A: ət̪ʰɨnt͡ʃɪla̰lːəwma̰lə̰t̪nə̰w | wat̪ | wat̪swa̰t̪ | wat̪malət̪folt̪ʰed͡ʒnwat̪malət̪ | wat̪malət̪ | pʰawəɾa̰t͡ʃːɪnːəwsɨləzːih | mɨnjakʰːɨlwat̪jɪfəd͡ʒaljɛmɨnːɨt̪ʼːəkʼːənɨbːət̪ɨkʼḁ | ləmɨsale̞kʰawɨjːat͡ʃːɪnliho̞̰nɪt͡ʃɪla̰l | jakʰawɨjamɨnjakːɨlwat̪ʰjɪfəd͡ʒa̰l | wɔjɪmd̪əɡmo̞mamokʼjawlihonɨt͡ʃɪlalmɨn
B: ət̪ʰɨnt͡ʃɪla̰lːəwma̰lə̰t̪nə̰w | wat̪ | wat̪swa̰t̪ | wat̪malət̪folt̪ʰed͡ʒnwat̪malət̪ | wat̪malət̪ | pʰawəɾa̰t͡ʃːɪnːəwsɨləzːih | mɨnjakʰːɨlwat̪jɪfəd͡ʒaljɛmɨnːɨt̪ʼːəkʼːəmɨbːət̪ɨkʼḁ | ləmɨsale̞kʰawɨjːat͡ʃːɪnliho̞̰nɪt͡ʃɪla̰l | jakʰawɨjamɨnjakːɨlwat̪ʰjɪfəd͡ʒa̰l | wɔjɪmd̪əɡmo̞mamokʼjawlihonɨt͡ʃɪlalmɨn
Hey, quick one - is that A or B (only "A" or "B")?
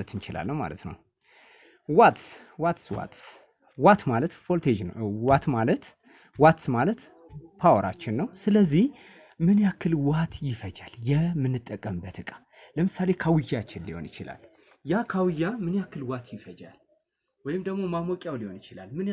B